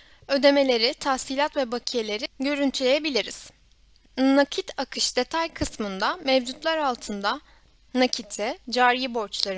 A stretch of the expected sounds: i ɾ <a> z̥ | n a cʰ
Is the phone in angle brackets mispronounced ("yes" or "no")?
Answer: yes